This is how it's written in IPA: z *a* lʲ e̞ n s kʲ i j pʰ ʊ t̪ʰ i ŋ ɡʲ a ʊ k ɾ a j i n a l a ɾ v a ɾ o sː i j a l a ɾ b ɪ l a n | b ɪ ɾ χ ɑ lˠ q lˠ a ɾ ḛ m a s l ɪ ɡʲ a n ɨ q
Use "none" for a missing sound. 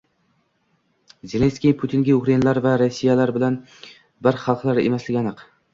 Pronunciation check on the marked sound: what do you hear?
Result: e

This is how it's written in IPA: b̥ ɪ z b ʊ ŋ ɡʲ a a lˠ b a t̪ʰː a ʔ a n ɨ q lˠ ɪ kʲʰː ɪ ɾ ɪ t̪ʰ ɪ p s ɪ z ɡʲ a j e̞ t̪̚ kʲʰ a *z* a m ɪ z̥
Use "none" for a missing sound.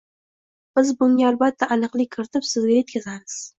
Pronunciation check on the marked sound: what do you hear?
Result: z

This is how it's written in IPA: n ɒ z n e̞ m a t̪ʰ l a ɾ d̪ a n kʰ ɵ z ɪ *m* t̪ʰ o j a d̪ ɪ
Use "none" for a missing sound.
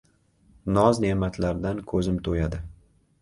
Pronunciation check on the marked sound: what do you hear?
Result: m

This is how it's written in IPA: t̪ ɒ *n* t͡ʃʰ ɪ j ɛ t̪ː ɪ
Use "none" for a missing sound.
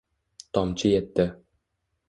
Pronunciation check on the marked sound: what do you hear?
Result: m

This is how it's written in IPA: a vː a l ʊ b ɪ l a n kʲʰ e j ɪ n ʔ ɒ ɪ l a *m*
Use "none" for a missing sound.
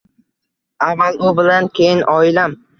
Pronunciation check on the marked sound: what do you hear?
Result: m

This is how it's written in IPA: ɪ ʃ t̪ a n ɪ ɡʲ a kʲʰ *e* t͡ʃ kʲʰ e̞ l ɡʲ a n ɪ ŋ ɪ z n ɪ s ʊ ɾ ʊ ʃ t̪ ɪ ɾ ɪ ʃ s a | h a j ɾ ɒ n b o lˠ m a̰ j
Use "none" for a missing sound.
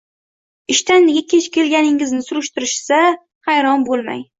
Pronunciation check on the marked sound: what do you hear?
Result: e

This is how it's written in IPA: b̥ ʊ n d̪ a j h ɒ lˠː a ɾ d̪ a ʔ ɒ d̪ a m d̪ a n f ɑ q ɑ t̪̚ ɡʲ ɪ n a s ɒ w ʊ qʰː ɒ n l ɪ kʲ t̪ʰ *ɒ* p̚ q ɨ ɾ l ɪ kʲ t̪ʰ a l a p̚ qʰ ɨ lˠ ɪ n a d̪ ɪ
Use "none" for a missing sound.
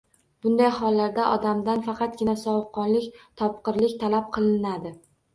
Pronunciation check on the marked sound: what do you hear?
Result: ɒ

